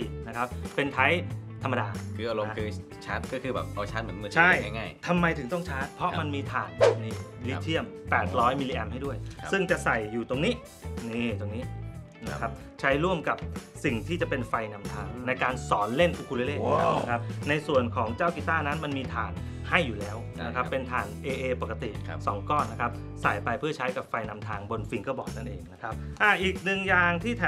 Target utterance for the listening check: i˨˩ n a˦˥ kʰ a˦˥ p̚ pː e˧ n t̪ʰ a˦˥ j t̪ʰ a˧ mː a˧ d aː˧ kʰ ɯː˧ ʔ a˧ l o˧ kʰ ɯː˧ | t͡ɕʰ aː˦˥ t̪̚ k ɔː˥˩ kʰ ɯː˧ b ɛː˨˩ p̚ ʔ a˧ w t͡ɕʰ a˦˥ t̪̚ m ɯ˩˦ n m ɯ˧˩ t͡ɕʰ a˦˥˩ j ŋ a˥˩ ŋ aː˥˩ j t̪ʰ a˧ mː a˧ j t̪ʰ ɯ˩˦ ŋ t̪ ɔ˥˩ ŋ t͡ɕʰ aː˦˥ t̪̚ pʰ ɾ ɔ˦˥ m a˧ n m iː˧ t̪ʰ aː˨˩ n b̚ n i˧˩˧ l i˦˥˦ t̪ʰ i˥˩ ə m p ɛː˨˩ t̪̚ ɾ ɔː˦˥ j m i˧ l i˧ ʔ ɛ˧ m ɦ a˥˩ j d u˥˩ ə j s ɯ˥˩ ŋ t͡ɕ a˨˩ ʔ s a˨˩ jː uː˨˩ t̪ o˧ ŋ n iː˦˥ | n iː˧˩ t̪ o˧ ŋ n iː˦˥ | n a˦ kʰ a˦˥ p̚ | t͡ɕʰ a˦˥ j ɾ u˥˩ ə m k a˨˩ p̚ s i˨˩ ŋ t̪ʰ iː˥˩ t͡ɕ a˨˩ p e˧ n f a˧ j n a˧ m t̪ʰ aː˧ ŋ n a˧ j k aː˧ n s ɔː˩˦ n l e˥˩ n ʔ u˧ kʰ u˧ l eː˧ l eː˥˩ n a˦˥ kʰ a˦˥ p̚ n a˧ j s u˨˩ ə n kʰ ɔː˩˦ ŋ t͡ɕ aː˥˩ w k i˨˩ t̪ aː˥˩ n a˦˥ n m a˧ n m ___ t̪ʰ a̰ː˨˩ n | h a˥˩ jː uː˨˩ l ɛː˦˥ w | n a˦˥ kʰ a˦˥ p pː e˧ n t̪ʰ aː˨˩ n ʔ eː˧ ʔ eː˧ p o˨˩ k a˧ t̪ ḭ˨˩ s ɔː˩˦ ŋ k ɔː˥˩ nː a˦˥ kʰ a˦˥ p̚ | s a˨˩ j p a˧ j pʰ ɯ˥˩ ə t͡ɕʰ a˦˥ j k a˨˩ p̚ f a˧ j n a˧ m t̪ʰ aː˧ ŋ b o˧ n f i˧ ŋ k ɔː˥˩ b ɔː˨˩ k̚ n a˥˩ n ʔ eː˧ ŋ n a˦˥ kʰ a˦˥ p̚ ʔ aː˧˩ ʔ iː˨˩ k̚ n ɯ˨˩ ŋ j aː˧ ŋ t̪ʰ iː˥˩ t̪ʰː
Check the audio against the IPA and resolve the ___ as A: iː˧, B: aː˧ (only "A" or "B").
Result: A